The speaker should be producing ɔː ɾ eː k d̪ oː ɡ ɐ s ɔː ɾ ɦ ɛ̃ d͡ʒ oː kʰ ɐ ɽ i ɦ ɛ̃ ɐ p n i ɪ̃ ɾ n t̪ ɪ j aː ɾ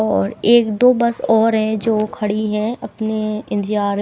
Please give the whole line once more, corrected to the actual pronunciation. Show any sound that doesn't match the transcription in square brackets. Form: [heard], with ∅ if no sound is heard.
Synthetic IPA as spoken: ɔː ɾ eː k d̪ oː [b] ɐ s ɔː ɾ ɦ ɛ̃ d͡ʒ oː kʰ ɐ ɽ i ɦ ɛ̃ ɐ p n [e] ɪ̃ [∅] n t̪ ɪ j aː ɾ

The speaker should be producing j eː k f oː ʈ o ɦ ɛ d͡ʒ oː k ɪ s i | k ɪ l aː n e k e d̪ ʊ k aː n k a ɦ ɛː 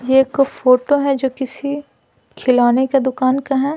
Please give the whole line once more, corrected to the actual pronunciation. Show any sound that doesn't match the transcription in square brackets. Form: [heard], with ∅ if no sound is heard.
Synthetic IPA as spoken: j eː k f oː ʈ o ɦ ɛ d͡ʒ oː k ɪ s i | [kʰ] ɪ l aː n e k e d̪ ʊ k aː n k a ɦ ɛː

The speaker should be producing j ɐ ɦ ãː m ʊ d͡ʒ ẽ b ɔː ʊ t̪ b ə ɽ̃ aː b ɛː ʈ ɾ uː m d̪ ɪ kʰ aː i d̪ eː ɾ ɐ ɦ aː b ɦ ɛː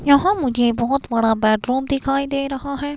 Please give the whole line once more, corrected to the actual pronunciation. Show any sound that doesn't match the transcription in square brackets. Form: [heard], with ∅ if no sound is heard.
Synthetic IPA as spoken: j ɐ ɦ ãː m ʊ d͡ʒ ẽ b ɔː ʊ t̪ b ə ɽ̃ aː b ɛː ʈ ɾ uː m d̪ ɪ kʰ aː i d̪ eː ɾ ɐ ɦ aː [∅] ɦ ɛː

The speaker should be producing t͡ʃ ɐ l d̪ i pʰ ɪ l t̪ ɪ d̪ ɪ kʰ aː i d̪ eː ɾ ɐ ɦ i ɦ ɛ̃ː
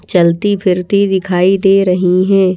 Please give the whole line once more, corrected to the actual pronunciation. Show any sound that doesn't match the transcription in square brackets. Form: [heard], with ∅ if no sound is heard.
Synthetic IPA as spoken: t͡ʃ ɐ l [t̪] i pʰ ɪ [ɾ] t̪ [i] d̪ ɪ kʰ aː i d̪ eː ɾ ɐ ɦ i ɦ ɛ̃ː

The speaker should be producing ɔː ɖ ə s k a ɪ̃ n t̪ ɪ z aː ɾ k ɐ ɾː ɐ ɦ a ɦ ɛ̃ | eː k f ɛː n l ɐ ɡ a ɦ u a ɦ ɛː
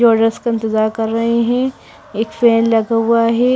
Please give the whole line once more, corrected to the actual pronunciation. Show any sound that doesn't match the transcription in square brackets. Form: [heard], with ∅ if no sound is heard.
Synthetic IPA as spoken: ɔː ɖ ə s k a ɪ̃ n t̪ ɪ z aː ɾ k ɐ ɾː ɐ ɦ [e] ɦ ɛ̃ | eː k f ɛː n l ɐ ɡ a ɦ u a ɦ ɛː

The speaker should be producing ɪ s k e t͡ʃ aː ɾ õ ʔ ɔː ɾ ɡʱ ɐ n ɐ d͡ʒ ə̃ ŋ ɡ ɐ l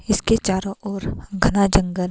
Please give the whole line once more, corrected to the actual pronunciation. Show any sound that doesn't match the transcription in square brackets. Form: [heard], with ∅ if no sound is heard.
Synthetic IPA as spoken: ɪ s k e t͡ʃ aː ɾ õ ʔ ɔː ɾ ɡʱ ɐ n [a] d͡ʒ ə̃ ŋ ɡ [ə] l

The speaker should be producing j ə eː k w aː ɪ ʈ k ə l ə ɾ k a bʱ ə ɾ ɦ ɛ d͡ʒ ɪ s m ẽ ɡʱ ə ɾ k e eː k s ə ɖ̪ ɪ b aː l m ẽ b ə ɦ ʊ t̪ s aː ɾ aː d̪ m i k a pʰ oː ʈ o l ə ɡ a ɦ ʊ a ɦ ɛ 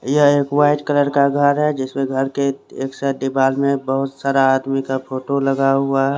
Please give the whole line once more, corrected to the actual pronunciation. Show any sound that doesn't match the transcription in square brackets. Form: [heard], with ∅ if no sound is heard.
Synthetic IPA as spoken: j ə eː k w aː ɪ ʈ k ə l ə ɾ k a [ɡʱ] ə ɾ ɦ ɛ d͡ʒ ɪ s m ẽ ɡʱ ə ɾ k e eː k s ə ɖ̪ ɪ b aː l m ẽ b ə ɦ ʊ t̪ s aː ɾ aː d̪ m i k a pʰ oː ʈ o l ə ɡ a ɦ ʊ a ɦ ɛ

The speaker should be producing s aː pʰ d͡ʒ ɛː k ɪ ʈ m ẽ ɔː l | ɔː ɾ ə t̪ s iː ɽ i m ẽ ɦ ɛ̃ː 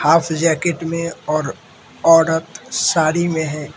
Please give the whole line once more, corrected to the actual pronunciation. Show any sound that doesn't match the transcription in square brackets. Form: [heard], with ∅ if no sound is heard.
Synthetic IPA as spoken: [h] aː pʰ d͡ʒ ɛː k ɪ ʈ m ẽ ɔː [ɾ] | ɔː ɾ ə t̪ s [aː] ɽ i m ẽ ɦ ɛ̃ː

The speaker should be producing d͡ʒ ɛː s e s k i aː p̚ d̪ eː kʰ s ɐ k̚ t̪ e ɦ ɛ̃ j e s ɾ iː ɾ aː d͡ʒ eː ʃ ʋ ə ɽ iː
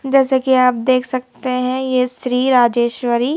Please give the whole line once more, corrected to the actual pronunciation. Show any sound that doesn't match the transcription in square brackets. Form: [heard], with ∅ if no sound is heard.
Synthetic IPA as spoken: d͡ʒ ɛː s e [∅] k i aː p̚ d̪ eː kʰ s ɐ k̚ t̪ e ɦ ɛ̃ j e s ɾ iː ɾ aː d͡ʒ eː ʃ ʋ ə [ɾ] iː

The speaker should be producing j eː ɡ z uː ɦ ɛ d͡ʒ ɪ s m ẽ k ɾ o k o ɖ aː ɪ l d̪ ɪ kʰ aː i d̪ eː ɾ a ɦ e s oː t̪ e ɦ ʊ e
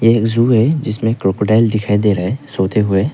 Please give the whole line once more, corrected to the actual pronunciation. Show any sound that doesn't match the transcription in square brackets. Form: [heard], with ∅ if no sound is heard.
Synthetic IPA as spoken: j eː [k] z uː ɦ ɛ d͡ʒ ɪ s m ẽ k ɾ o k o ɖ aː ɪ l d̪ ɪ kʰ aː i d̪ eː ɾ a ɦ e s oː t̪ e ɦ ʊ e

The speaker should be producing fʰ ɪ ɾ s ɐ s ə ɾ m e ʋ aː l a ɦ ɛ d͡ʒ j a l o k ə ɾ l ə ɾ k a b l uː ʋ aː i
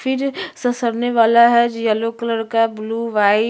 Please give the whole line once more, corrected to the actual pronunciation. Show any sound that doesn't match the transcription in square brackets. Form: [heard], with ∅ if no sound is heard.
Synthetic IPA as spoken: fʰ ɪ ɾ s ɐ s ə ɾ [n] e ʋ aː l a ɦ ɛ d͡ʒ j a l o k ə [∅] l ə ɾ k a b l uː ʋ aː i

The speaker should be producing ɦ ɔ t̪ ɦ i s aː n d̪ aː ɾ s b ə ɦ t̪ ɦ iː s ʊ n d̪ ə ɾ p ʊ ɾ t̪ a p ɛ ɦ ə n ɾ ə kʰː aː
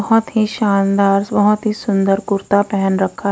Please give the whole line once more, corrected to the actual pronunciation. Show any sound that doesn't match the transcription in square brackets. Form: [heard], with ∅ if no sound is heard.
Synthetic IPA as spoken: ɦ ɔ t̪ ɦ i [ʃ] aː n d̪ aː ɾ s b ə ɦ t̪ ɦ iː s ʊ n d̪ ə ɾ [k] ʊ ɾ t̪ a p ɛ ɦ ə n ɾ ə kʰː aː

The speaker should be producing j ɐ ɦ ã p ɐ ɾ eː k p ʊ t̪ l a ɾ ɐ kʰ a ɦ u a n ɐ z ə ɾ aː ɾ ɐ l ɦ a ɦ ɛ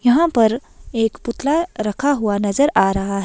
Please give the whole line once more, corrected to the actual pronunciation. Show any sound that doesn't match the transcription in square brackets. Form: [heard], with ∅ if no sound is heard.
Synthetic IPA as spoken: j ɐ ɦ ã p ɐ ɾ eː k p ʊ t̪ l a ɾ ɐ kʰ a ɦ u a n ɐ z ə ɾ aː ɾ ɐ [∅] ɦ a ɦ ɛ

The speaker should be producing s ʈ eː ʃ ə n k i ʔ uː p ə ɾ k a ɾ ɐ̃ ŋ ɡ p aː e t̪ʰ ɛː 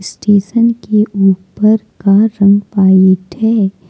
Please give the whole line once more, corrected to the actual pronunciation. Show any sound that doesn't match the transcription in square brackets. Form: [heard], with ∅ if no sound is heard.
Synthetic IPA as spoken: s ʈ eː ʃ ə n k [e] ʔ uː p ə ɾ k a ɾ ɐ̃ ŋ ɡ p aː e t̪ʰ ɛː

